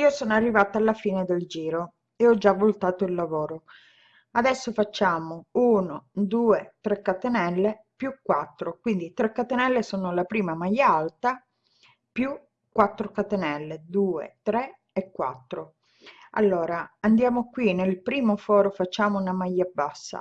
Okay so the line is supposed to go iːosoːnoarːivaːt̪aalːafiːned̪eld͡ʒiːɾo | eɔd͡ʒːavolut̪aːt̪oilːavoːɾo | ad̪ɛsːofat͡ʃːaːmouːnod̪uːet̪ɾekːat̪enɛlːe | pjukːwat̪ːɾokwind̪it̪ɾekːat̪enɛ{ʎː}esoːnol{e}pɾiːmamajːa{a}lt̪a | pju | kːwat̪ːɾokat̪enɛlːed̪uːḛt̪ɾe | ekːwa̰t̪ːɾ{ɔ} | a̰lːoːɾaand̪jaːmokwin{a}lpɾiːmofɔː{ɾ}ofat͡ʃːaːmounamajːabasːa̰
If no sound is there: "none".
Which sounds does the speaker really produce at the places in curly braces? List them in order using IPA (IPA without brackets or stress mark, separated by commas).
lː, a, a, o, e, ɾ